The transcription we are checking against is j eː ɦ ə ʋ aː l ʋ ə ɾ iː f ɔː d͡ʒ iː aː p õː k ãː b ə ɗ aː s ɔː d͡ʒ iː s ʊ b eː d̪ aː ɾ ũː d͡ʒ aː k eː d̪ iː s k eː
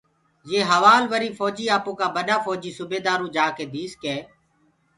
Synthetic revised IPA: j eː ɦ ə ʋ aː l ʋ ə ɾ iː f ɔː d͡ʒ iː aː p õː k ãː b ə ɗ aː f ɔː d͡ʒ iː s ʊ b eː d̪ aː ɾ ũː d͡ʒ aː k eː d̪ iː s k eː